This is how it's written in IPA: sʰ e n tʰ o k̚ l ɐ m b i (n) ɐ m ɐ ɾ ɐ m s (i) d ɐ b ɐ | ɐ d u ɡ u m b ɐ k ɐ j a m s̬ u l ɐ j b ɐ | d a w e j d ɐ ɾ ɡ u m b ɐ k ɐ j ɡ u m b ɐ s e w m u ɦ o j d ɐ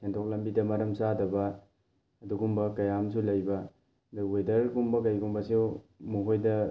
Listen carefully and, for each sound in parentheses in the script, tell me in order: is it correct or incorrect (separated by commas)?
incorrect, incorrect